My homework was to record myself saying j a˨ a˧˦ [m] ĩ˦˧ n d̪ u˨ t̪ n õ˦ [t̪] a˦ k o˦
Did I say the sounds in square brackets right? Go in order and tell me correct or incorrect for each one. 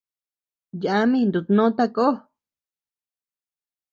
correct, correct

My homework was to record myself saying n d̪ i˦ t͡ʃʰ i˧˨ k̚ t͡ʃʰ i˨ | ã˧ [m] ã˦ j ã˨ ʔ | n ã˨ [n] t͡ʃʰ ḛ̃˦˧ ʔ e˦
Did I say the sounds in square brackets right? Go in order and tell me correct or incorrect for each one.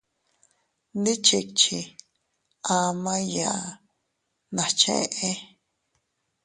correct, incorrect

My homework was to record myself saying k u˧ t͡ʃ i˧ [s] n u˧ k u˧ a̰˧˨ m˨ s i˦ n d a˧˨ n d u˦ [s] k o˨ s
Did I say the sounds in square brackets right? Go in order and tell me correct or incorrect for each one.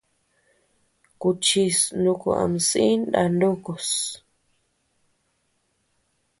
correct, incorrect

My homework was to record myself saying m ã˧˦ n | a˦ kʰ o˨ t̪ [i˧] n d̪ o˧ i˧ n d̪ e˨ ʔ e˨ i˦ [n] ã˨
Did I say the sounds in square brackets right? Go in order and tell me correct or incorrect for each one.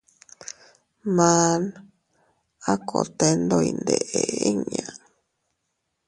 incorrect, incorrect

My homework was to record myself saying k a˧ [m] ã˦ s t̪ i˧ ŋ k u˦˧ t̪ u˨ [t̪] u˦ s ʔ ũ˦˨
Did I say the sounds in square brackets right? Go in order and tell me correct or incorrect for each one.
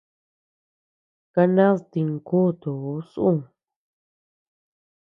incorrect, incorrect

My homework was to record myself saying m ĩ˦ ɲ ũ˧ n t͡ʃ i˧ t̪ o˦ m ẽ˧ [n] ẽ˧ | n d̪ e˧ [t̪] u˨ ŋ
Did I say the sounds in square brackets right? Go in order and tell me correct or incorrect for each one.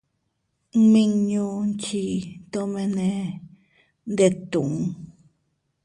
correct, correct

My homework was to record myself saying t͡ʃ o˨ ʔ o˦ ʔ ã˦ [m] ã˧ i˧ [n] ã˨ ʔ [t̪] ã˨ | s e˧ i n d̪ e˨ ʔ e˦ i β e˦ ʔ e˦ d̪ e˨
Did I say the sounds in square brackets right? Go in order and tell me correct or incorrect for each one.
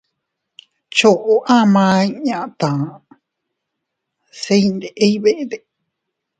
correct, incorrect, correct

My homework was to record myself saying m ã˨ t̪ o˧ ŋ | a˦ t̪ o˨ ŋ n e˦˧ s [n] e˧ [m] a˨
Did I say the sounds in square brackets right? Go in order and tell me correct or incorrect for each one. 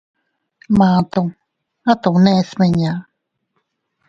incorrect, incorrect

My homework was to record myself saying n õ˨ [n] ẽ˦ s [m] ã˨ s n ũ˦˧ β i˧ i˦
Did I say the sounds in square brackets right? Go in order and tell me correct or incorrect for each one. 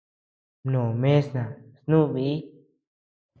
incorrect, incorrect

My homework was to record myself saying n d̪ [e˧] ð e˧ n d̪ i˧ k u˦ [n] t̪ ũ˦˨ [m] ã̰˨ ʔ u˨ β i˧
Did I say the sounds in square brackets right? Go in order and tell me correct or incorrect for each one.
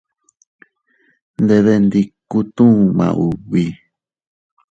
correct, incorrect, correct

